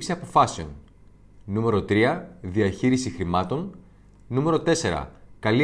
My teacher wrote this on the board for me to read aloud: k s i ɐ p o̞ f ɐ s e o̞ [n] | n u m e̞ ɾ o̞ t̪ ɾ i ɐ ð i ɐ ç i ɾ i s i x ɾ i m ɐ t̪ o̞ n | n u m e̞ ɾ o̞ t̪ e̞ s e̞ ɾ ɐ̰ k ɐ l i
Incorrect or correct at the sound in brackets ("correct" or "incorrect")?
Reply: correct